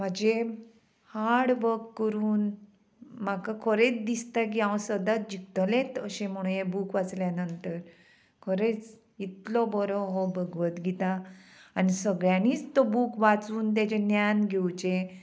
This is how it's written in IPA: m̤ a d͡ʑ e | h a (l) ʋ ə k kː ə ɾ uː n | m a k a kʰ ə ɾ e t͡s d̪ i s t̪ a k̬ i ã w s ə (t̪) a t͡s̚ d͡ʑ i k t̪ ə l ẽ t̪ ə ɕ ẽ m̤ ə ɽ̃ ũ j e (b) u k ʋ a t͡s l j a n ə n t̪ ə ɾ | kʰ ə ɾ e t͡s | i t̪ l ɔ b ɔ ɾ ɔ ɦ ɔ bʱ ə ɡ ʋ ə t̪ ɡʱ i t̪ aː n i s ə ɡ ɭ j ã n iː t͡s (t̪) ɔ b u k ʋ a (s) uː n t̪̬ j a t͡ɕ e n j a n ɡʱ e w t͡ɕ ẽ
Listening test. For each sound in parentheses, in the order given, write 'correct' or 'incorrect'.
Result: incorrect: ɽ, incorrect: d̪, correct, correct, incorrect: t͡s

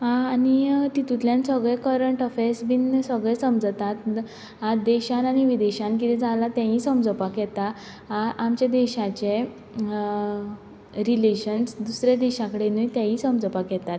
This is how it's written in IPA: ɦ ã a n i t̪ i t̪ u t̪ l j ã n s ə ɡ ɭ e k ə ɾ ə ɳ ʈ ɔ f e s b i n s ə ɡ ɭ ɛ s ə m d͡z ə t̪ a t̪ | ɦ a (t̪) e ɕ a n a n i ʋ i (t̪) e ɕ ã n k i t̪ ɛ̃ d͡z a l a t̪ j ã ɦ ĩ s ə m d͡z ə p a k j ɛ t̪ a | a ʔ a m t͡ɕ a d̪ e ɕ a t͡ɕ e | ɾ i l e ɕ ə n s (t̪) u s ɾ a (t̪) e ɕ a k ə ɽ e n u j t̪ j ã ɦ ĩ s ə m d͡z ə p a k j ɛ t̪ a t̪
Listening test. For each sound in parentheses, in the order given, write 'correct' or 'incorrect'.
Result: incorrect: d̪, incorrect: d̪, incorrect: d̪, incorrect: d̪

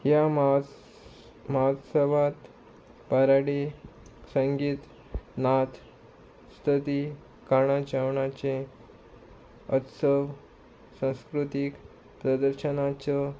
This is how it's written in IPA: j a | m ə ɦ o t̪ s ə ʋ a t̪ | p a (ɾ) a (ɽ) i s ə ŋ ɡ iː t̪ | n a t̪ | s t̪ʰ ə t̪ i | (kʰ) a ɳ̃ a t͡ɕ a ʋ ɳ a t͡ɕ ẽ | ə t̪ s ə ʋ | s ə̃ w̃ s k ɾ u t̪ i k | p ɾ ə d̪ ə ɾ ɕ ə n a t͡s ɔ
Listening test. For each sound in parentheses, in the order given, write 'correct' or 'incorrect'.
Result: correct, correct, incorrect: k

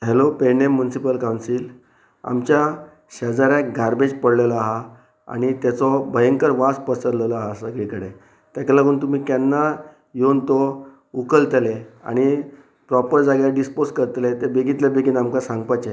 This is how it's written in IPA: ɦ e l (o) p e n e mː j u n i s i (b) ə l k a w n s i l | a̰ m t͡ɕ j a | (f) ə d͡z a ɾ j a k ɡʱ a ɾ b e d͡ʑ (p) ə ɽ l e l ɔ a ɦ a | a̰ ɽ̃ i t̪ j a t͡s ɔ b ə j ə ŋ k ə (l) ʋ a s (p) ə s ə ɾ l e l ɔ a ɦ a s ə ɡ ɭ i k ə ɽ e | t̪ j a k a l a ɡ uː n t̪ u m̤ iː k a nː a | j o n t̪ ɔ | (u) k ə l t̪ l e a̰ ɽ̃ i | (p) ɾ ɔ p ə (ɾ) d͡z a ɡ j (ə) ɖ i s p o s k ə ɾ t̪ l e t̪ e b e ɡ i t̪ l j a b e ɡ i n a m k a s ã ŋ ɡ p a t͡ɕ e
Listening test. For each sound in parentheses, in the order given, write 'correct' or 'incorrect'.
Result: correct, incorrect: p, incorrect: ɕ, correct, incorrect: ɾ, correct, correct, correct, correct, incorrect: a

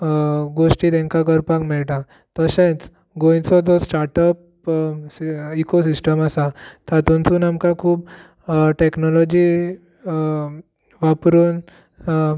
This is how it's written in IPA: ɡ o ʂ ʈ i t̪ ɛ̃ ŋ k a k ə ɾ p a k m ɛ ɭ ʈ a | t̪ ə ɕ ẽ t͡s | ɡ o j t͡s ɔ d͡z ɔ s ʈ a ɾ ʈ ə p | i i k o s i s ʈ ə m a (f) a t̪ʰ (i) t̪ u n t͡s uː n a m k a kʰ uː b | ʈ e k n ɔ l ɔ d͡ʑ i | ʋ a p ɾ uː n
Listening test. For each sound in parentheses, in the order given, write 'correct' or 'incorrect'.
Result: incorrect: s, incorrect: a

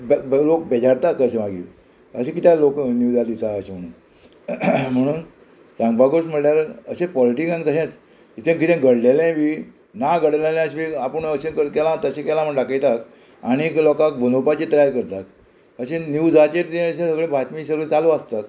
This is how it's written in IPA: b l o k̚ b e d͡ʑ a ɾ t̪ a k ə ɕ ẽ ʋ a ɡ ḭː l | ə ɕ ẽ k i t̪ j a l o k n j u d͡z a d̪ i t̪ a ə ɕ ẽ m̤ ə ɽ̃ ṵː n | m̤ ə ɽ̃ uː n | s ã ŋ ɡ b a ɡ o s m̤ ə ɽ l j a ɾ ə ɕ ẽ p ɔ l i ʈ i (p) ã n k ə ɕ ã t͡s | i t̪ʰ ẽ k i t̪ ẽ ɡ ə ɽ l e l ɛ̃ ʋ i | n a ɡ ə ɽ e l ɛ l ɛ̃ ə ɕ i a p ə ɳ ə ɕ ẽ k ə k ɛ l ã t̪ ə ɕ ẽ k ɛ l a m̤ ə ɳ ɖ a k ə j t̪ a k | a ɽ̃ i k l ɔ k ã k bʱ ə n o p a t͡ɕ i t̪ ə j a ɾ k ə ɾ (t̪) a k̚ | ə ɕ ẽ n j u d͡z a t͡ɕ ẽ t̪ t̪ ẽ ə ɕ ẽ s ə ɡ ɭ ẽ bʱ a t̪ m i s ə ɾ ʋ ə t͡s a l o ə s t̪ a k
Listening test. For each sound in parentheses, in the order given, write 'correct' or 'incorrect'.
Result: incorrect: k, correct

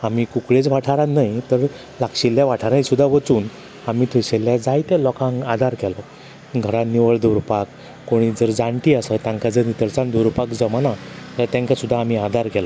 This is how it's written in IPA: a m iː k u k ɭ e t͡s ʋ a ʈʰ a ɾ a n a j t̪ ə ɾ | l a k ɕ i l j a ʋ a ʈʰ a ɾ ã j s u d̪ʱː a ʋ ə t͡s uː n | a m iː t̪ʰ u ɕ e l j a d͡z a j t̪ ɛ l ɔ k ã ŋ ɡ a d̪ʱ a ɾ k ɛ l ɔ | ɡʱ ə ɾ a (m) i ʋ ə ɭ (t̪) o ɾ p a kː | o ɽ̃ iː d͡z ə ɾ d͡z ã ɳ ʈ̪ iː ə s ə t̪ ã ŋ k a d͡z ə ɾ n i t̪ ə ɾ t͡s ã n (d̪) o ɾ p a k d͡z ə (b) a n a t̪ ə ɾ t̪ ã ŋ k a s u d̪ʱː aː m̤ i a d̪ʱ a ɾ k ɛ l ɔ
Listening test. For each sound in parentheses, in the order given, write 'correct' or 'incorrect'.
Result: incorrect: n, incorrect: d̪, correct, incorrect: m

